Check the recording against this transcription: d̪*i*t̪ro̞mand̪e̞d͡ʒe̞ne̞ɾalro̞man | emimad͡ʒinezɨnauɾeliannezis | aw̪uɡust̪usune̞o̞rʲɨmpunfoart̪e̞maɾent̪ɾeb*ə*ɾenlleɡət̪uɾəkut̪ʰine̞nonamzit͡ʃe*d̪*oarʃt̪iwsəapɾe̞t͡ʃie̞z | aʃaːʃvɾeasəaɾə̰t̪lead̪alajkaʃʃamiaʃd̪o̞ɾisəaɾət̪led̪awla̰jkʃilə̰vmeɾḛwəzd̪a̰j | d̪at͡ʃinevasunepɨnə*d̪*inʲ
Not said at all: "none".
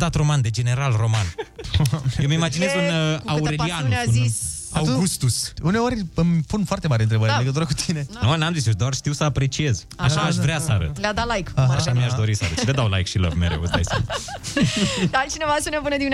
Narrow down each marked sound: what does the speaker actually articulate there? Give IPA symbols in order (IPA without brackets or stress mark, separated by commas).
a, ə, d̪, d̪